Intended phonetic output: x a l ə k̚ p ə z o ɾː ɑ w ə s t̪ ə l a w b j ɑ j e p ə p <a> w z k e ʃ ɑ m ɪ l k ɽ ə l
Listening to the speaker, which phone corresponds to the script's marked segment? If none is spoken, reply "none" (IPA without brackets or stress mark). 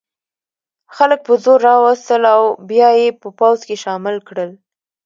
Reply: a